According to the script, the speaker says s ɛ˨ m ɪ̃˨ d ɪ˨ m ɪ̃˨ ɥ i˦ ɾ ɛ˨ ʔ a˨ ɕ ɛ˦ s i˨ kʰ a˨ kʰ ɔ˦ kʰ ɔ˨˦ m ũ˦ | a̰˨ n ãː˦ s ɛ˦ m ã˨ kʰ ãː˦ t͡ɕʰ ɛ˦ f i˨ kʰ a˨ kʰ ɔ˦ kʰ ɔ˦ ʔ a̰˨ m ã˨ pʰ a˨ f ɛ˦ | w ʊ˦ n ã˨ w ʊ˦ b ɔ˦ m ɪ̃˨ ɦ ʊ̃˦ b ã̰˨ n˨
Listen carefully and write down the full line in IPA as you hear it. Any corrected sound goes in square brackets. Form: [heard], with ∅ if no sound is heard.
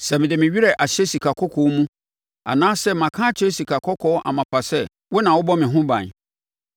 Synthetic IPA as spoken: s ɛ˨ m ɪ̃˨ d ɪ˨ m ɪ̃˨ ɥ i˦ ɾ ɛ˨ ʔ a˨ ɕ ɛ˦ s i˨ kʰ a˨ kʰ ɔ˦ kʰ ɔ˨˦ m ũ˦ | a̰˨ n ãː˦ s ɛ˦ m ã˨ kʰ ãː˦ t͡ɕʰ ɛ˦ [s] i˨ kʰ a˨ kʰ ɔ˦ kʰ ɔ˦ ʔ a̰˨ m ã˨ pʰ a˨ [s] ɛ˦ | w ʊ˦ n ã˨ w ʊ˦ b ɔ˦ m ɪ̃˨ ɦ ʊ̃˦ b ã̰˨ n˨